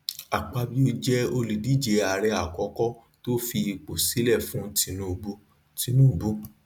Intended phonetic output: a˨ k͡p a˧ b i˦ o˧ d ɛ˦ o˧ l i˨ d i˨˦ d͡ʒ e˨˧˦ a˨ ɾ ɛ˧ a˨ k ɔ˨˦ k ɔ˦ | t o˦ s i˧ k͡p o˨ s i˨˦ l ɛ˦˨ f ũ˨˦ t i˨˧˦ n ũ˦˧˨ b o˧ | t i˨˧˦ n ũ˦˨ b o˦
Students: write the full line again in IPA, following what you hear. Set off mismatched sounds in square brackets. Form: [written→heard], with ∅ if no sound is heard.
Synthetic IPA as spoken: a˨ k͡p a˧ b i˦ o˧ [d→d͡ʒ] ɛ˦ o˧ l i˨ d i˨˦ d͡ʒ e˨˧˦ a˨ ɾ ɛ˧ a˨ k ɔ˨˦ k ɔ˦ | t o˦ [s→f] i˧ k͡p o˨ s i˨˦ l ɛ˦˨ f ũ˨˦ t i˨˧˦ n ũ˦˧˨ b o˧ | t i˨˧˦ n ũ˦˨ b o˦